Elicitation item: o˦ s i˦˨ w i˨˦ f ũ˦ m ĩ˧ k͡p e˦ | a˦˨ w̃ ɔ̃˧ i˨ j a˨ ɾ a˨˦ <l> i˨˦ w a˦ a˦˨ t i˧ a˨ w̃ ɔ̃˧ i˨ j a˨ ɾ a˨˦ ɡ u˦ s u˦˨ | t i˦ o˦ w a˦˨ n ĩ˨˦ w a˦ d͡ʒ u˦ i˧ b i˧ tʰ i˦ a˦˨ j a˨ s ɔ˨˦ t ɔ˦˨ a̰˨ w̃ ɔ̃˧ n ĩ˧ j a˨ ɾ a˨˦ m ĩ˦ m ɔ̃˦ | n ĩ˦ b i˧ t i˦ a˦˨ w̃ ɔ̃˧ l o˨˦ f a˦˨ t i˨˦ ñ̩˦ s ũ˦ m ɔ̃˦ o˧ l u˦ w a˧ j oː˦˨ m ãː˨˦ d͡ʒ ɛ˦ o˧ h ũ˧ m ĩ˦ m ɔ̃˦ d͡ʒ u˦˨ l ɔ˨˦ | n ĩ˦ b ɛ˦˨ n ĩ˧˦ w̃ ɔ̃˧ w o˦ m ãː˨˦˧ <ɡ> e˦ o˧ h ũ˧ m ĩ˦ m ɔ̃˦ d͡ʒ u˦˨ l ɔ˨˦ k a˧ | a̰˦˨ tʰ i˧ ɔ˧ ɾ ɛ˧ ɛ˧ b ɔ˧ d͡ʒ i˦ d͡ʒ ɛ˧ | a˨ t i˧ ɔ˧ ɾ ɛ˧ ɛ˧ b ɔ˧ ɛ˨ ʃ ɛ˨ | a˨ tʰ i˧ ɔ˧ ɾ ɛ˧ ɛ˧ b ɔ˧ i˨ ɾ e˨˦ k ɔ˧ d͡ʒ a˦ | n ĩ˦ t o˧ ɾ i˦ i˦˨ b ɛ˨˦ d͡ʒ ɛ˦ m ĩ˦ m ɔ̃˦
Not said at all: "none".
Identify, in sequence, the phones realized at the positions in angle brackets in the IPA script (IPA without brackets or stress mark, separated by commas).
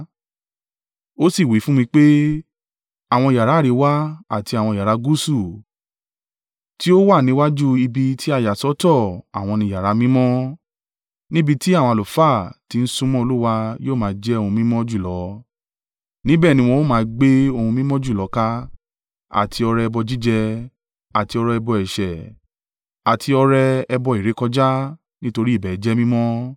ɾ, ɡ͡b